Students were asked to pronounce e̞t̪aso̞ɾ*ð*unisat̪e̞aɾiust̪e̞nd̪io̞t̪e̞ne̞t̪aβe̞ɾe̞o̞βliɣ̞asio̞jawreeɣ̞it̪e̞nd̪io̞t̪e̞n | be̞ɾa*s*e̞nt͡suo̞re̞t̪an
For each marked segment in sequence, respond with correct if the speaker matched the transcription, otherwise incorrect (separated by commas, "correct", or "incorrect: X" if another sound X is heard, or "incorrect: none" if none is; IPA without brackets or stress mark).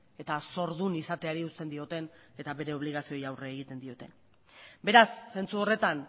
correct, incorrect: sː